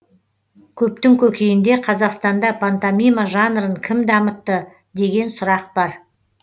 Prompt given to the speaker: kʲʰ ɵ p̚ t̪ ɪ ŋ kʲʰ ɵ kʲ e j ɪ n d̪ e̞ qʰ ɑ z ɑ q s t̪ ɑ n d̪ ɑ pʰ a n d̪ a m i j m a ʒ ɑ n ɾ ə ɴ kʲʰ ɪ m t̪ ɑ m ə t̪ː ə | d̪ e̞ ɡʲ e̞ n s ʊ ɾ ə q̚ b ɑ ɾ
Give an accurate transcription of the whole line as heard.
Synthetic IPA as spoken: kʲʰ ɵ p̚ t̪ ɪ ŋ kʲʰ ɵ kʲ e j ɪ n d̪ e̞ qʰ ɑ z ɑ q s t̪ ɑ n d̪ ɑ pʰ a n t̪ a m i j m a ʒ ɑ n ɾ ə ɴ kʲʰ ɪ m d̪ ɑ m ə t̪ː ə | d̪ e̞ ɡʲ e̞ n s ʊ ɾ ɑ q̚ b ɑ ɾ